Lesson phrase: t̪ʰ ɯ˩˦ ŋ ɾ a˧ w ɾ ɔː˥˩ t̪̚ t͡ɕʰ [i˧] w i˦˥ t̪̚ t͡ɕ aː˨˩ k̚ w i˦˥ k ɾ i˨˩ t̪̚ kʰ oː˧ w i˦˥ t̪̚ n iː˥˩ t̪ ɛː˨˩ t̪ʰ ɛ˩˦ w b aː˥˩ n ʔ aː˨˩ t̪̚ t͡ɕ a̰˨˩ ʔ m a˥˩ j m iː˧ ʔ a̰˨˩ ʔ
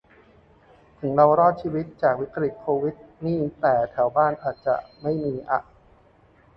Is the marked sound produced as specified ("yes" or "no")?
no